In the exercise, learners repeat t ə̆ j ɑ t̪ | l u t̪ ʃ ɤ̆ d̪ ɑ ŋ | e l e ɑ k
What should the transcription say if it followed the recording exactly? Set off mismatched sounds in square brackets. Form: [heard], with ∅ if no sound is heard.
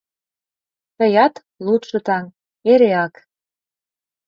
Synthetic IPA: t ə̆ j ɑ t̪ | l u t̪ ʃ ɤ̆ [t̪] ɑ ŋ | e [ɾ] e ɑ k